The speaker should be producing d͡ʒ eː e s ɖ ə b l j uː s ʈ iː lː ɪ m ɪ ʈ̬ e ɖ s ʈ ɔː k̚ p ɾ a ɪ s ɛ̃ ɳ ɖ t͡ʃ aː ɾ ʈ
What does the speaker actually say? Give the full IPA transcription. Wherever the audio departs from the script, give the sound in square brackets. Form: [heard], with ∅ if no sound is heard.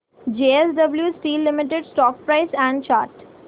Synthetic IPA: d͡ʒ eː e s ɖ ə b l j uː s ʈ iː lː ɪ m ɪ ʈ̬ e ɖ s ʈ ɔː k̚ p ɾ a ɪ s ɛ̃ ɳ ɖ t͡ʃ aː ɾ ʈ